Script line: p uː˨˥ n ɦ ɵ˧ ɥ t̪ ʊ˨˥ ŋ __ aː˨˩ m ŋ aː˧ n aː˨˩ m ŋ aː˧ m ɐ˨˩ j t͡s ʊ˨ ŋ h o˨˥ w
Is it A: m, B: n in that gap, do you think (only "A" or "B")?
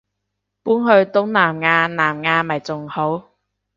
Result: B